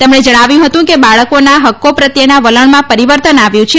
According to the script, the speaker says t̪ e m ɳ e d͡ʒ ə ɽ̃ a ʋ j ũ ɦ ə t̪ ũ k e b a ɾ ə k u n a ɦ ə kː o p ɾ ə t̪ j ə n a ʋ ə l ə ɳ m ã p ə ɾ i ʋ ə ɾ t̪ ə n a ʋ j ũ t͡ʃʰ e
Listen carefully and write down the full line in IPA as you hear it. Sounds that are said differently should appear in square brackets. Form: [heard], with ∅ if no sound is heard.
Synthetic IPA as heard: t̪ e m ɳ e d͡ʒ ə ɽ̃ a ʋ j ũ ɦ ə t̪ ũ k e b a [ɭ] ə k [o] n a ɦ ə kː o p ɾ ə t̪ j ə n a ʋ ə l ə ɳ m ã p ə ɾ i ʋ ə ɾ t̪ ə n a ʋ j ũ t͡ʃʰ e